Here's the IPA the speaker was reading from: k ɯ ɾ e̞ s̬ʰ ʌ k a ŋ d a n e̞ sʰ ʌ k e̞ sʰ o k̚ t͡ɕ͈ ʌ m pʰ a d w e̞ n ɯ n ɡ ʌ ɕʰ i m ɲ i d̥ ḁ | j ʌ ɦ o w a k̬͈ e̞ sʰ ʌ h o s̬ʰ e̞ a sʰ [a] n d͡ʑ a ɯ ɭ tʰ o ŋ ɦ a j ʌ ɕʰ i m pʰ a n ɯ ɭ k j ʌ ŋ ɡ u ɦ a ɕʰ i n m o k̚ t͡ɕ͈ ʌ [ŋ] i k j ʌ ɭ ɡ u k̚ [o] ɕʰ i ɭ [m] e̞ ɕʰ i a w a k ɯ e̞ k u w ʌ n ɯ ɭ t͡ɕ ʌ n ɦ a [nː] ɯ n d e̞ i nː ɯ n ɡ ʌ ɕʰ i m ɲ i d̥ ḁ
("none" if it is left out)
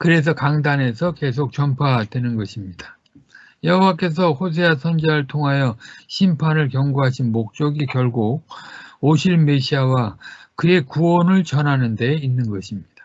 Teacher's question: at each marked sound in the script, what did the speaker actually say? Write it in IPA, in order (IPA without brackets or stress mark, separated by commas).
ʌ, ɡ, o, m, n